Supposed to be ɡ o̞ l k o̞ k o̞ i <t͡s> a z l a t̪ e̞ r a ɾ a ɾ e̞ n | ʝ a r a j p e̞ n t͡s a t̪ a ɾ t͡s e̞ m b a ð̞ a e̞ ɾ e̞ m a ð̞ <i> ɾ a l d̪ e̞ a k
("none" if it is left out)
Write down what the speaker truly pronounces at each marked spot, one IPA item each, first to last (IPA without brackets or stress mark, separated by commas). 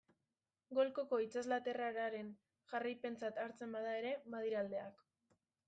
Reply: t͡s, i